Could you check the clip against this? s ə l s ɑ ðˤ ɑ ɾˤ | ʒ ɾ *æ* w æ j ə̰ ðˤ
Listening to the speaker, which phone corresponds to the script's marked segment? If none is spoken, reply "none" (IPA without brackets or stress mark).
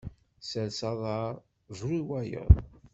i